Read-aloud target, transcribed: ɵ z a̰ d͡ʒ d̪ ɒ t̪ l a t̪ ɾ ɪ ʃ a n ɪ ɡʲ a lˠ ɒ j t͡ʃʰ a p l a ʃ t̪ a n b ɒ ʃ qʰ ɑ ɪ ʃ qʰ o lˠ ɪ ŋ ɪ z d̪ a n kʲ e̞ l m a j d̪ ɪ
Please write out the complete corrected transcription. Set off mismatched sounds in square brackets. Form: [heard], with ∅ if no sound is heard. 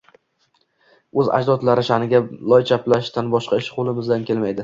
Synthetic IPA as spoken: ɵ z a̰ d͡ʒ d̪ ɒ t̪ l a [∅] ɾ ɪ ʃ a n ɪ ɡʲ a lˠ ɒ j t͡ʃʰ a p l a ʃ t̪ a n b ɒ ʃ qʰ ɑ ɪ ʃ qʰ o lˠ ɪ [m] ɪ z d̪ a n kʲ e̞ l m a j d̪ ɪ